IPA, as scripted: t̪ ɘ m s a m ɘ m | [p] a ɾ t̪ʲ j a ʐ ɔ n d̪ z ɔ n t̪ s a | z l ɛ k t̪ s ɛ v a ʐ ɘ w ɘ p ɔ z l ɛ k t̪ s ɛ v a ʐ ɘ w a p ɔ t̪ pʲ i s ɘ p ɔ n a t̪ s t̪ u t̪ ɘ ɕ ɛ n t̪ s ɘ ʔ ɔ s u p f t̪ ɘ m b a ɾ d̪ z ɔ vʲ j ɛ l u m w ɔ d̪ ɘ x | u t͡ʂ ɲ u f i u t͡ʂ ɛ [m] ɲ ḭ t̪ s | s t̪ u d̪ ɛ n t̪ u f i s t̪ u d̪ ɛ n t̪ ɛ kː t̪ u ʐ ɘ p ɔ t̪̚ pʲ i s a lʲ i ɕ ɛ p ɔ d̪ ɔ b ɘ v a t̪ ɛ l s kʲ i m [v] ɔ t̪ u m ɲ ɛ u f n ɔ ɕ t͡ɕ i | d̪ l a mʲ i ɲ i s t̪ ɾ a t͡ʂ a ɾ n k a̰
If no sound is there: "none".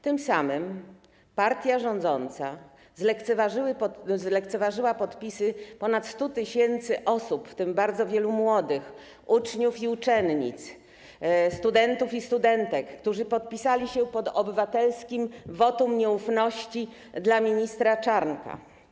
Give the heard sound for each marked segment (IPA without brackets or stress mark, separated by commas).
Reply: p, n, v